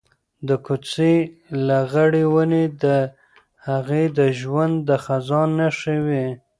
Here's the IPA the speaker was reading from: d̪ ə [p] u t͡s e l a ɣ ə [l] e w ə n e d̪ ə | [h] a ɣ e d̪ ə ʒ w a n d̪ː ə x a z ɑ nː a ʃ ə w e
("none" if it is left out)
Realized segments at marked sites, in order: k, ɽ, h

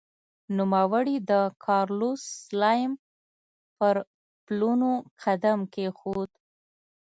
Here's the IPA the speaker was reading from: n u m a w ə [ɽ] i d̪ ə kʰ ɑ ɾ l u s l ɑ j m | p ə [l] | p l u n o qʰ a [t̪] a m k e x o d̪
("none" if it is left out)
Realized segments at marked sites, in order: ɽ, ɾ, d̪

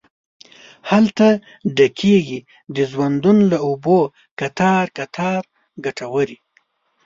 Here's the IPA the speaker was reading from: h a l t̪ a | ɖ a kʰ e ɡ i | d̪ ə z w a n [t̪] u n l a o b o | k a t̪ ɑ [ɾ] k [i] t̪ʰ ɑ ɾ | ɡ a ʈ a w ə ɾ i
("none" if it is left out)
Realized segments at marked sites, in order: d̪, ɾ, a

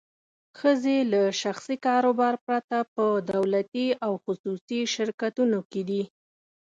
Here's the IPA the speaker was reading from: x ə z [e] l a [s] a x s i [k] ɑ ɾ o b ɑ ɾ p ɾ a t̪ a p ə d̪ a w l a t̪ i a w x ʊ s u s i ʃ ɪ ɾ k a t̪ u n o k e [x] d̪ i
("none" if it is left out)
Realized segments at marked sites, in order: e, ʃ, k, none

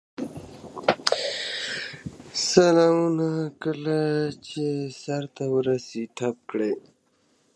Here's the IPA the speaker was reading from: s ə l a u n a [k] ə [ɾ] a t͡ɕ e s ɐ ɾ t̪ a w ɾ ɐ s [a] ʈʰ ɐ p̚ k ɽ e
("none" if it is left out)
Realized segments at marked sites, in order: k, l, i

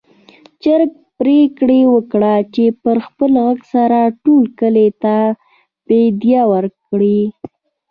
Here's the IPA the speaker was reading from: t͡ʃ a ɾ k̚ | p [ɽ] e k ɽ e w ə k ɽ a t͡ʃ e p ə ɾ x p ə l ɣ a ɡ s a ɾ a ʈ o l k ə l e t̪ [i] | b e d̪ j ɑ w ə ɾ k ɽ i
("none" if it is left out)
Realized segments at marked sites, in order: ɾ, a

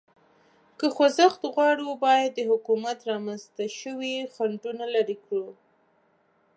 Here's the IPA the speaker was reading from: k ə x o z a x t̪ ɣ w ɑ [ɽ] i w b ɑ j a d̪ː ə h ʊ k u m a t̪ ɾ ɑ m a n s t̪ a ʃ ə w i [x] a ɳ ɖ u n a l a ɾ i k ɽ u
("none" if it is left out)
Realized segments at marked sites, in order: ɽ, x

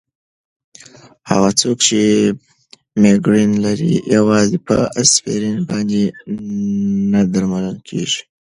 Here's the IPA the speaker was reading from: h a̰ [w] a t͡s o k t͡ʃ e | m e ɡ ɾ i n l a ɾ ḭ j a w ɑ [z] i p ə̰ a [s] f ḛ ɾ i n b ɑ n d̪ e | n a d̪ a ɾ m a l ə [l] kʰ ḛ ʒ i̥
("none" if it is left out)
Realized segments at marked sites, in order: ɣ, z, s, l

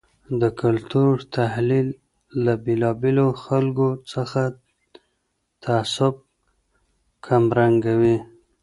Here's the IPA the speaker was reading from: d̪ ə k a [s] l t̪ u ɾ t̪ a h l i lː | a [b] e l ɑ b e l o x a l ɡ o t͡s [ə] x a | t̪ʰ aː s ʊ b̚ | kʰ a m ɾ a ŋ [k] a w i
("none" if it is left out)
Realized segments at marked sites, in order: none, b, ə, ɡ

